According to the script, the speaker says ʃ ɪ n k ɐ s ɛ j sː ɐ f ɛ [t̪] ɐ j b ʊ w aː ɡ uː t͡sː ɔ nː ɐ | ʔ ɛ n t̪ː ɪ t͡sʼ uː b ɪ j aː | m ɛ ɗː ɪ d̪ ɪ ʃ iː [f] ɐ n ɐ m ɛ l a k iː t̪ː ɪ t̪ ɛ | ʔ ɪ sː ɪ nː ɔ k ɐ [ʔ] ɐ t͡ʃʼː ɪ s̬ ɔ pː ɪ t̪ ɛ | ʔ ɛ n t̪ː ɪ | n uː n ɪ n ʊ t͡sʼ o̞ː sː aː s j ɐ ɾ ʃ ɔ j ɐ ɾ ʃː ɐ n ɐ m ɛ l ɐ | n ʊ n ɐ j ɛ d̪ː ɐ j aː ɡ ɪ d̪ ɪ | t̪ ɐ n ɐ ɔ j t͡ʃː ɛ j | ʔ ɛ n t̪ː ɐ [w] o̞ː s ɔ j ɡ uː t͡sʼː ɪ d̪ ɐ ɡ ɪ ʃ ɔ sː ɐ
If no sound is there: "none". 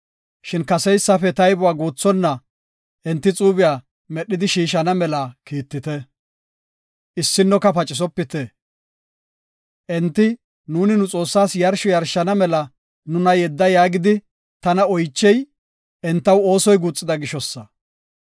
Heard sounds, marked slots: t̪, ʃ, p, w

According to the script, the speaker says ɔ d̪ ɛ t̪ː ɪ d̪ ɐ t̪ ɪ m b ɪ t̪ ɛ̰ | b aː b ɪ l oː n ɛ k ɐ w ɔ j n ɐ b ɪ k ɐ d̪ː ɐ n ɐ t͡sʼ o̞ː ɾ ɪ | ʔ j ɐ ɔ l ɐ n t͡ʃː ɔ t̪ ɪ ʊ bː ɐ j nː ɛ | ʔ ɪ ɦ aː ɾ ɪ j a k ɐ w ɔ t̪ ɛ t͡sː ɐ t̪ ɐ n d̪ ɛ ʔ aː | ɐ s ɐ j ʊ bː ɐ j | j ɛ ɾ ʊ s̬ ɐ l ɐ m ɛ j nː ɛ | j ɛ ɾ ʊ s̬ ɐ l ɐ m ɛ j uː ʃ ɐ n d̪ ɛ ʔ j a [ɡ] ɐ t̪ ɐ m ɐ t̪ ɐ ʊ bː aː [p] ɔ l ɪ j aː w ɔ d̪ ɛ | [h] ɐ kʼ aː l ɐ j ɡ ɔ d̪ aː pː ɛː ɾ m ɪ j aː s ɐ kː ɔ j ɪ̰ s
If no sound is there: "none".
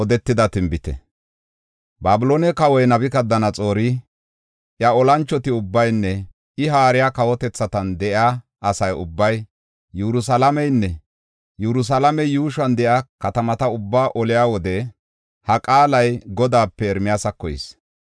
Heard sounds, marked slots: k, ʔ, h

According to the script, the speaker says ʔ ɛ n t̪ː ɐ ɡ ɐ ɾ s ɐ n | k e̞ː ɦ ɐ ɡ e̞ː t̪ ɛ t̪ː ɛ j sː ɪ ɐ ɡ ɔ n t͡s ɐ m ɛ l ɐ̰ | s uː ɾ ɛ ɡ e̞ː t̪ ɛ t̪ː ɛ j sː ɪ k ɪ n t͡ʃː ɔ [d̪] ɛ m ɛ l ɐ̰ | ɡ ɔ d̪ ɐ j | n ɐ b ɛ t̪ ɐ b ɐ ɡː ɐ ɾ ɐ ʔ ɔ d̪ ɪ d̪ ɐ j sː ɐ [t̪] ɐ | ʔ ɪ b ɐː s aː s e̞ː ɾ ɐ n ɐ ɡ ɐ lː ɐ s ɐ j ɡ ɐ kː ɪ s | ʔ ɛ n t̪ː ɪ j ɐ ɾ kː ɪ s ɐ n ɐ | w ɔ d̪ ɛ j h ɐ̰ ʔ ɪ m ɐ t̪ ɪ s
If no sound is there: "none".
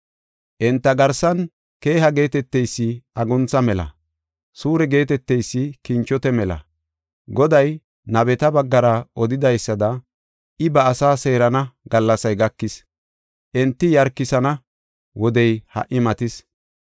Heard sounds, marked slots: t̪, d̪

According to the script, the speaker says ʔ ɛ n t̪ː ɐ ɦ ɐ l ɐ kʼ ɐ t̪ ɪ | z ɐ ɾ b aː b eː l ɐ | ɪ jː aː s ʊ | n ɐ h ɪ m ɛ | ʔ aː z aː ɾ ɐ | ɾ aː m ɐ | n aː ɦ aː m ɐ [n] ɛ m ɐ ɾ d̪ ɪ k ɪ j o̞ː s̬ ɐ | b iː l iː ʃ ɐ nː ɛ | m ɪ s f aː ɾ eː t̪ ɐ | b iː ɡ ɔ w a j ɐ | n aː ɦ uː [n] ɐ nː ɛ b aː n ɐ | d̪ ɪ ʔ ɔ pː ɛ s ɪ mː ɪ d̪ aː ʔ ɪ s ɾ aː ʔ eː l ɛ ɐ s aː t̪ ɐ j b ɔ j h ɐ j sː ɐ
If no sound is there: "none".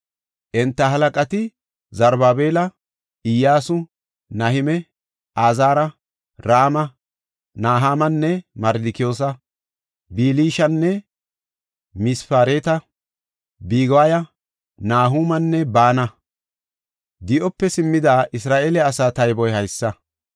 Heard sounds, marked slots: nː, m

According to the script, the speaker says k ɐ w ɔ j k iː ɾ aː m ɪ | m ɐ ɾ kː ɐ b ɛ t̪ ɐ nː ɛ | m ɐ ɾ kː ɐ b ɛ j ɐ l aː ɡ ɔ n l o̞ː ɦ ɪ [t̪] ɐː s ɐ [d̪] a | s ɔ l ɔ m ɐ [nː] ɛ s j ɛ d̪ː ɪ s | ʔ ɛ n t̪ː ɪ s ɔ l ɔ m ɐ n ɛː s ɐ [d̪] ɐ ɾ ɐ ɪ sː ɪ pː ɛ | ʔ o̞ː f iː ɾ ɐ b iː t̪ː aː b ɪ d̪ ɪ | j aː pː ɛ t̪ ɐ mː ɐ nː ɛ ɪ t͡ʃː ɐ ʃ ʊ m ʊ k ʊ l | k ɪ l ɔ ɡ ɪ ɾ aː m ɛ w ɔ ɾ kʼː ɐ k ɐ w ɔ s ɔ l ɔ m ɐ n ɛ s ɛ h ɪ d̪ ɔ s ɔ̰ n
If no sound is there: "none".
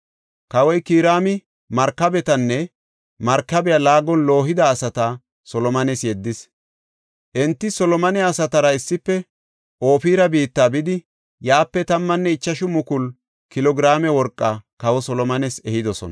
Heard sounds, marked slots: d̪, t̪, n, t̪

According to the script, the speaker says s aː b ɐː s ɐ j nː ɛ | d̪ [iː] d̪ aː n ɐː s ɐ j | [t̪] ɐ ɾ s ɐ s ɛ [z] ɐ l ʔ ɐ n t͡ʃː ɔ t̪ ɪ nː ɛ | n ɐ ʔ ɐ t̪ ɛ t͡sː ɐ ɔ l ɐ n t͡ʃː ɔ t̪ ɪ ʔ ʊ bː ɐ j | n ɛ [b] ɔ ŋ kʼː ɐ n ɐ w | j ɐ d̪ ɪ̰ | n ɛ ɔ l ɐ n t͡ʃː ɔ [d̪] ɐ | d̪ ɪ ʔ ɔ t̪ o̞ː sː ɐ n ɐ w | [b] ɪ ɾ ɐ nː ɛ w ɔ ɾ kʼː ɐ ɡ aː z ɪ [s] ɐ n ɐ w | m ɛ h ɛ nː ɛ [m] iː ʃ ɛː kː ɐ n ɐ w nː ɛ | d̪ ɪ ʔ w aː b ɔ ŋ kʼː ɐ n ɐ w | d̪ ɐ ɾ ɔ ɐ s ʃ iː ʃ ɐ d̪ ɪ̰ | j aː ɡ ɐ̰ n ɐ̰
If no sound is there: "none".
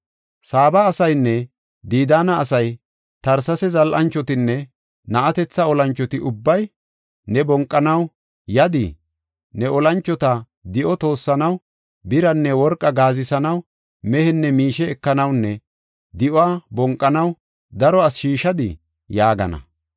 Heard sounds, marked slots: iː, t̪, z, b, t̪, b, s, m

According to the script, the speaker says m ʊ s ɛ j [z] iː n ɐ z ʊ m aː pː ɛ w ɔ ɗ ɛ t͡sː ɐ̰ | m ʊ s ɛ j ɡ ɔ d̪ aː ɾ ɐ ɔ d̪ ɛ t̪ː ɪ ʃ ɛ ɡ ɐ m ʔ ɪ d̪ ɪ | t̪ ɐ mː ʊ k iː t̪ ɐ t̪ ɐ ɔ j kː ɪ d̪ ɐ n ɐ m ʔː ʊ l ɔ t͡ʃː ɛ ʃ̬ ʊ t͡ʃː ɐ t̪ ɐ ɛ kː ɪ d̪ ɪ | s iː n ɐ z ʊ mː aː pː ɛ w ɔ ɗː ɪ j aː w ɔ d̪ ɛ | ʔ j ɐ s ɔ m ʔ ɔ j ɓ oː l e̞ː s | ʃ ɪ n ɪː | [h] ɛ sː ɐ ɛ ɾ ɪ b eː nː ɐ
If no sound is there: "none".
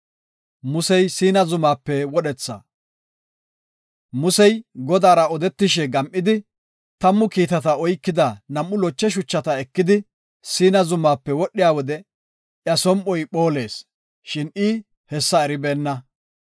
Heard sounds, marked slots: s, h

